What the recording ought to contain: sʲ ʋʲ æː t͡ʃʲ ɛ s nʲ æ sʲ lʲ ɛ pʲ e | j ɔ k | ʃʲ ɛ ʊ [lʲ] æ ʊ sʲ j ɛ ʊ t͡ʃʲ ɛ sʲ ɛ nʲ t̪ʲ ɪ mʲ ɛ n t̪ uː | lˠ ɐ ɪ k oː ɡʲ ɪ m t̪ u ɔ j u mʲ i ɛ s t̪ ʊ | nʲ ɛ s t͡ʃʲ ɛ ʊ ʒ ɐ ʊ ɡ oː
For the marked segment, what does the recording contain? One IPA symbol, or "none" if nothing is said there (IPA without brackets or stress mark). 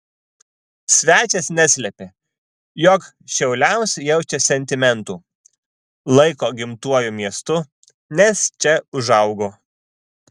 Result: lʲ